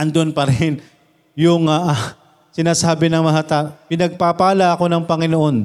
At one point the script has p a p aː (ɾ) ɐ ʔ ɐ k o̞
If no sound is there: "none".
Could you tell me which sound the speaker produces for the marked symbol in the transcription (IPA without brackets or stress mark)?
l